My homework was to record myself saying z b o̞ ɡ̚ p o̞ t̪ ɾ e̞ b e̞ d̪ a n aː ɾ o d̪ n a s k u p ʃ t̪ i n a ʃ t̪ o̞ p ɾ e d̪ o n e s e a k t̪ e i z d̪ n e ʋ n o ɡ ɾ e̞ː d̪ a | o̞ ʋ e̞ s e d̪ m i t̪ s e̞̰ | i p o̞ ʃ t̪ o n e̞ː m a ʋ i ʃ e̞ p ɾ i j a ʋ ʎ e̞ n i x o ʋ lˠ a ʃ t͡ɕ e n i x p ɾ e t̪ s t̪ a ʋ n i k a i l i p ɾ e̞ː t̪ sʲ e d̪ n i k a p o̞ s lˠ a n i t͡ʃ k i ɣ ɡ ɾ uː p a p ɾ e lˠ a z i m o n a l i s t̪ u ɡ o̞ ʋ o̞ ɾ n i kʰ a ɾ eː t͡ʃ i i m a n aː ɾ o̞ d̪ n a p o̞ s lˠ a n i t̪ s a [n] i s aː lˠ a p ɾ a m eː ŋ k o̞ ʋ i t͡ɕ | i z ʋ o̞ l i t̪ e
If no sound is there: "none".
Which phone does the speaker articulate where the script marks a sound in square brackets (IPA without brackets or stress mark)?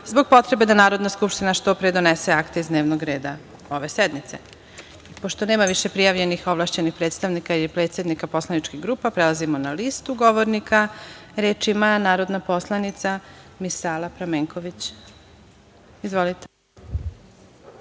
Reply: m